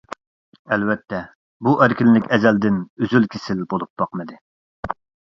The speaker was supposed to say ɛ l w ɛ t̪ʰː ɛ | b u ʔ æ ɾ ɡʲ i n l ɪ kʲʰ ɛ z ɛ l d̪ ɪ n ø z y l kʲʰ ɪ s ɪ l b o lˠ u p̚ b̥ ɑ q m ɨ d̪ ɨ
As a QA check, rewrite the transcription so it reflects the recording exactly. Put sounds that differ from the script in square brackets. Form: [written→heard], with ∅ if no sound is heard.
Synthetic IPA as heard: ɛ l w ɛ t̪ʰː ɛ | b u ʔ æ ɾ [ɡʲ→kʲ] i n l ɪ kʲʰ ɛ z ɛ l d̪ ɪ n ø z y l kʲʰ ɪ s ɪ l b o lˠ u p̚ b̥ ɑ q m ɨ d̪ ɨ